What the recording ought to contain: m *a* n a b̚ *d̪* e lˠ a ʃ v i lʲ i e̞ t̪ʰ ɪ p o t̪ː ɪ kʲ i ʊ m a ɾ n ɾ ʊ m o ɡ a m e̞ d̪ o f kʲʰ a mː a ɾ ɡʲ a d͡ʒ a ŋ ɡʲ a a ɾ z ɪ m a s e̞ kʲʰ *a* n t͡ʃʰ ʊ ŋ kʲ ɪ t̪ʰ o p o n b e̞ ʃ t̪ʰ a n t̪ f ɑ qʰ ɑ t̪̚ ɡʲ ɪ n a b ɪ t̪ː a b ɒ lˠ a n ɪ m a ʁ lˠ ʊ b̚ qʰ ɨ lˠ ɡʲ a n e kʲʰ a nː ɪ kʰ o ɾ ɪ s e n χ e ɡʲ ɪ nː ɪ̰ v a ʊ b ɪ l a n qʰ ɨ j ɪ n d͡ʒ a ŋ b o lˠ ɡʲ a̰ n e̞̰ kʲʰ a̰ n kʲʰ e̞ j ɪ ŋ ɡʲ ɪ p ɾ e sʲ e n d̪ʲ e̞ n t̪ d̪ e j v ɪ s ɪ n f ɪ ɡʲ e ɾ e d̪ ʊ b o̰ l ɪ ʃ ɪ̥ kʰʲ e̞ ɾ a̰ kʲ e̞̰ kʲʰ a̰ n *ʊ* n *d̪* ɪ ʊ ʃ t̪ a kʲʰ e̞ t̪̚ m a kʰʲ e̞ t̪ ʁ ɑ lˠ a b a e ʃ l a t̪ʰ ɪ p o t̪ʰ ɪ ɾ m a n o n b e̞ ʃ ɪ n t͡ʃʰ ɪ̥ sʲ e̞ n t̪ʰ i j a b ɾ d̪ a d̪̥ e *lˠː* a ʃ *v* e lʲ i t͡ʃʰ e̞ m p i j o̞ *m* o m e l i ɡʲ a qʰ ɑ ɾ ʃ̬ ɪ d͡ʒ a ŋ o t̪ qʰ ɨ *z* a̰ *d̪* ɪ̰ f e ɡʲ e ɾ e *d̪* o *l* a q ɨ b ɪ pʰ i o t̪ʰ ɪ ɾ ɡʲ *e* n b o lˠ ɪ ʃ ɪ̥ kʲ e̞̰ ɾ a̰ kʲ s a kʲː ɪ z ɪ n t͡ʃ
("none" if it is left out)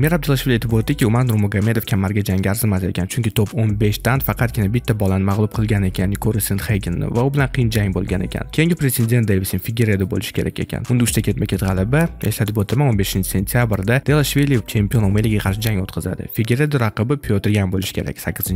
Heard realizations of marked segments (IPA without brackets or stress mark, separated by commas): e, d̪, a, ʊ, d̪, lˠ, v, n, z, d̪, d̪, ɾ, a